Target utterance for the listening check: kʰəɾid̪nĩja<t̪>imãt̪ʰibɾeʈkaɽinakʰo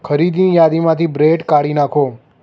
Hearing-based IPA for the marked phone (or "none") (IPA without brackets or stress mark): d̪